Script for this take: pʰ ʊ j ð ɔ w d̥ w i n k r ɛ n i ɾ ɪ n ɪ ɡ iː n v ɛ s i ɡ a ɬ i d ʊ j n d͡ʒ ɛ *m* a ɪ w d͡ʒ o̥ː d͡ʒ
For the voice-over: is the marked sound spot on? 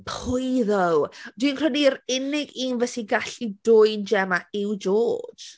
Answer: yes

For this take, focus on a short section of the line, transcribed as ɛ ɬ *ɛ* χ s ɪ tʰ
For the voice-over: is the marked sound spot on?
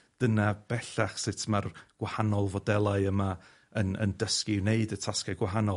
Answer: no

